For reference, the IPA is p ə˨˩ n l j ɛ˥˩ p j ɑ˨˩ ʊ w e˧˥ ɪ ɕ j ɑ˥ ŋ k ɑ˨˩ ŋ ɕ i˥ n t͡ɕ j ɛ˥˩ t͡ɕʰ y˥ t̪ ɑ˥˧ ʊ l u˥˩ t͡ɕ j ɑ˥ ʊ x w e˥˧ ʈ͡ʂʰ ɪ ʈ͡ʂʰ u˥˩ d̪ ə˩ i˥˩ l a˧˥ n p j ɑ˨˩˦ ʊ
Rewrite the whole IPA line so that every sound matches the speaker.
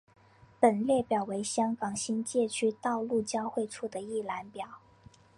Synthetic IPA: p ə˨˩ n l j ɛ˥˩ p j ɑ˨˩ ʊ w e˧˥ ɪ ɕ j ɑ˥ ŋ k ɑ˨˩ ŋ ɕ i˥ n t͡ɕ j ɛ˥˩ t͡ɕʰ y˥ t̪ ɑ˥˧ ʊ l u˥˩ t͡ɕ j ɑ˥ ʊ x w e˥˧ ɪ ʈ͡ʂʰ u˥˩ d̪ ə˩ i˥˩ l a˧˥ n p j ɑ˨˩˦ ʊ